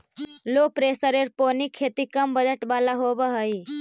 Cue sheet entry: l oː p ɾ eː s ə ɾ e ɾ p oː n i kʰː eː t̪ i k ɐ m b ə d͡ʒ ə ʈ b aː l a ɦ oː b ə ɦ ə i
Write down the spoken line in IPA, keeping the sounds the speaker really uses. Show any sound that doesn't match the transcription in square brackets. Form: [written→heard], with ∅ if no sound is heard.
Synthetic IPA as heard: l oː p ɾ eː s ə ɾ e ɾ p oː n i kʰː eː t̪ i k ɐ m b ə d͡ʒ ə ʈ b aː l a ɦ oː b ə ɦ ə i